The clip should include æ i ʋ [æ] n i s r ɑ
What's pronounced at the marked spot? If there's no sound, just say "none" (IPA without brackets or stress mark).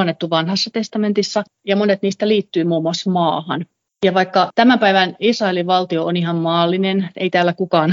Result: æ